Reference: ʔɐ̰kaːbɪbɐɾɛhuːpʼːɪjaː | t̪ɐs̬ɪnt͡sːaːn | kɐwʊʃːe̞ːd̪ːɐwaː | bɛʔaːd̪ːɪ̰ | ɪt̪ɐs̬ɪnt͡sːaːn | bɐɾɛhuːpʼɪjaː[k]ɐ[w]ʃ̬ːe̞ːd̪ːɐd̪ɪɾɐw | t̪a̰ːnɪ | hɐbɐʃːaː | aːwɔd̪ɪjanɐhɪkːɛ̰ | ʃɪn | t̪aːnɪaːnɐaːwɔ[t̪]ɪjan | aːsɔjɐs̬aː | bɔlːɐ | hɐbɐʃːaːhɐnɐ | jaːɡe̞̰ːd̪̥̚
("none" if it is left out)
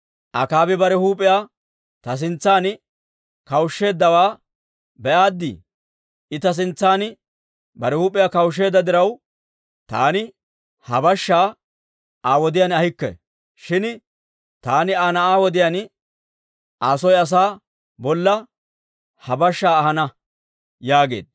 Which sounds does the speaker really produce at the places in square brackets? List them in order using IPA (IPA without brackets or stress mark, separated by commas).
k, w, d̪